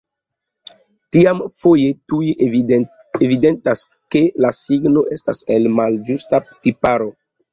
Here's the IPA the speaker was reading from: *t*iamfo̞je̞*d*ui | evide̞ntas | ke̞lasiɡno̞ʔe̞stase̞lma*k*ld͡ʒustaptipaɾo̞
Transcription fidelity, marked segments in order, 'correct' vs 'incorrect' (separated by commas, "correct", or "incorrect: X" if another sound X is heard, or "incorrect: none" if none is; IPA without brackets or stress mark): correct, incorrect: t, incorrect: none